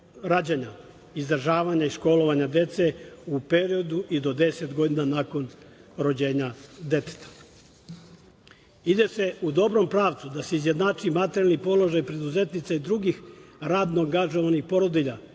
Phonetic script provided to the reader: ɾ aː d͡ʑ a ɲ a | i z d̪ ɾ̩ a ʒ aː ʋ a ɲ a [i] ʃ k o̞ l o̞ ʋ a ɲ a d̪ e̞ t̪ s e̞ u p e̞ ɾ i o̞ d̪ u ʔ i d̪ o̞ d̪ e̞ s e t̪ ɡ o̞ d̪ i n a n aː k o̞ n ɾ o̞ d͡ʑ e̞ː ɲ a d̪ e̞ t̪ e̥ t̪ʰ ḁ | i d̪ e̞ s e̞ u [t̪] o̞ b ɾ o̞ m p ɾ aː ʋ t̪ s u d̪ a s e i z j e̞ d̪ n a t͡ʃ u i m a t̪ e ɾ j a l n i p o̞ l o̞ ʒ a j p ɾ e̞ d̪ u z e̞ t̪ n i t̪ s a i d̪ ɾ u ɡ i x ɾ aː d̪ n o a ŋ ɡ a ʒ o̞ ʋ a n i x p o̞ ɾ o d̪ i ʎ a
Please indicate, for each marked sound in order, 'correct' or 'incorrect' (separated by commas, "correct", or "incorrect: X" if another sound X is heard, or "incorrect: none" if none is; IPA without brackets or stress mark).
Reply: correct, incorrect: d̪